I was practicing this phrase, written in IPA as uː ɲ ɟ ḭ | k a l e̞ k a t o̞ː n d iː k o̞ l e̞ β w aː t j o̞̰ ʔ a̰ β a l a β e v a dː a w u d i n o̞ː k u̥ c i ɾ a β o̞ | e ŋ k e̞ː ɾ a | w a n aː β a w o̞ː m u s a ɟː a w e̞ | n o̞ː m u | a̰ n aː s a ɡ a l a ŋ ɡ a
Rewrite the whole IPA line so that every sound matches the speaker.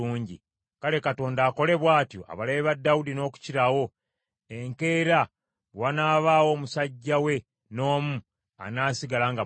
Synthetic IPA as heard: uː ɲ ɟ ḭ | k a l e̞ k a t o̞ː n d aː k o̞ l e̞ β w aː t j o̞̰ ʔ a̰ β a l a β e β a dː a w u d i n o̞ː k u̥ c i ɾ a w o̞ | e ŋ k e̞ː ɾ a | w a n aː β a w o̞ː m u s a ɟː a w e̞ | n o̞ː m u | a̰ n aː s i ɡ a l a ŋ ɡ a